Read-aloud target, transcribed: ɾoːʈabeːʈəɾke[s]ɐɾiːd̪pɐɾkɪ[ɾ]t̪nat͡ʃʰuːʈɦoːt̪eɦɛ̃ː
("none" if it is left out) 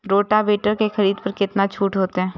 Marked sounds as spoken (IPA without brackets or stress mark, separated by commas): x, none